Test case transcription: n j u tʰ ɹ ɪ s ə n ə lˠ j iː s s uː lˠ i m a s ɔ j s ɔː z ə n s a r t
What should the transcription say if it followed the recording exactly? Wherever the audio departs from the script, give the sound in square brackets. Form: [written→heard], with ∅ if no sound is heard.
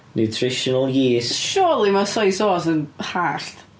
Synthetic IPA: n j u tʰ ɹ ɪ [s→ʃ] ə n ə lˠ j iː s [s→ʃ] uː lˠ i m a s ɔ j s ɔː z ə n [s→h] a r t